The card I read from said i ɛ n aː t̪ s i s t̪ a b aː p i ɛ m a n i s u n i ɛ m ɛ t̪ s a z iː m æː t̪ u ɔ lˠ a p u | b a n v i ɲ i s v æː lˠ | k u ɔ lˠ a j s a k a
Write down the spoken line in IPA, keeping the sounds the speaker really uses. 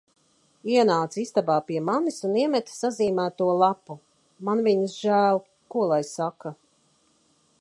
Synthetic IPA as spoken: i ɛ n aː t̪ s i s t̪ a b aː p i ɛ m a n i s u n i ɛ m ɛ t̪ s a z iː m æː t̪ u ɔ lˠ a p u | m a n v i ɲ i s ʒ æː lˠ | k u ɔ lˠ a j s a k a